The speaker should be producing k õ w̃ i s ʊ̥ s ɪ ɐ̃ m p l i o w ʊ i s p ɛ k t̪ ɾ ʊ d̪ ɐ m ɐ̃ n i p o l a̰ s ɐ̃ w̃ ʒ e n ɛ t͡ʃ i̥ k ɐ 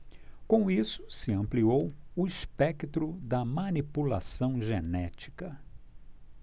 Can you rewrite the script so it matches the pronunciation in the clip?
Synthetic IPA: k õ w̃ i s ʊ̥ s ɪ ɐ̃ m p l i o w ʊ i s p ɛ k t̪ ɾ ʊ d̪ ɐ m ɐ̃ n i p u l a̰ s ɐ̃ w̃ ʒ e n ɛ t͡ʃ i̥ k ɐ